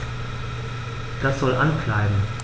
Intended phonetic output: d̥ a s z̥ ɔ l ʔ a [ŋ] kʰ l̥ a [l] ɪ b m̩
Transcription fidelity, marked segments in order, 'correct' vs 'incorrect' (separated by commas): incorrect, incorrect